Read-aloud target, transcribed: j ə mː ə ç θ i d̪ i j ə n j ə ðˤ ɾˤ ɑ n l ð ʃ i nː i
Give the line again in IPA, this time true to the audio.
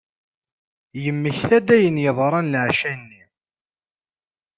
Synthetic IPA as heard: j ə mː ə ç θ æ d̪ æ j ə n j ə ðˤ ɾˤ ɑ n l ʕ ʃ æ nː i